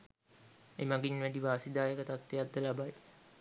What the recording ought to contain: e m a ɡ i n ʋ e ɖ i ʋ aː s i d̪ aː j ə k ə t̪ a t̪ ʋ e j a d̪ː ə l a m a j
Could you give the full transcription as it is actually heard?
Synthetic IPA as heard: e m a ɡ i n ʋ æ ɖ i ʋ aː s i d̪ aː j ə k ə t̪ a t̪ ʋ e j a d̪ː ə l a b a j